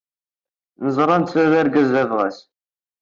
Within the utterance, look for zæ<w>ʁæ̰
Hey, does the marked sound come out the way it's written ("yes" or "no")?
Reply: no